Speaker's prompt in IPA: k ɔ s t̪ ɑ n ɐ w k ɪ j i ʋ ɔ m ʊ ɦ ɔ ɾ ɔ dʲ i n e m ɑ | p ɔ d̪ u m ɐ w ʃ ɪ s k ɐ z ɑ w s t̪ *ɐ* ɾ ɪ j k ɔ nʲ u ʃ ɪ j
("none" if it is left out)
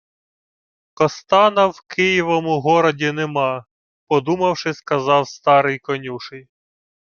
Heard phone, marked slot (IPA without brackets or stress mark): ɑ